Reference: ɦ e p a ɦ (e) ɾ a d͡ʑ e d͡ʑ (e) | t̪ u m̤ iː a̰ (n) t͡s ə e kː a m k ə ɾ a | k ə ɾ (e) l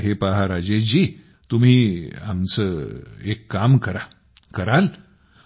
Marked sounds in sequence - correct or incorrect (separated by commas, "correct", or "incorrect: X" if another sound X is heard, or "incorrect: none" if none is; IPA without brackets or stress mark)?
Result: incorrect: a, incorrect: i, incorrect: m, incorrect: a